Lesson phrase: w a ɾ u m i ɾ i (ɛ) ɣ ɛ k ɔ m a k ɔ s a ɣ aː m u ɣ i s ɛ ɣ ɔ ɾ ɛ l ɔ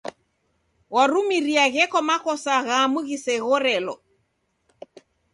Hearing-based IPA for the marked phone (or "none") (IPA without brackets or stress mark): a